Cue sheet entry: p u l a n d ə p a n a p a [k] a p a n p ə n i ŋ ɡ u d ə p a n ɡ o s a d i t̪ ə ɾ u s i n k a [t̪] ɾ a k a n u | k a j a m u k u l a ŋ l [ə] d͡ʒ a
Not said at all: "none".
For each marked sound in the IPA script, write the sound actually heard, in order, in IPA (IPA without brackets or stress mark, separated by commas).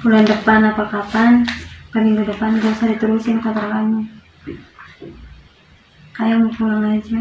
k, t̪, a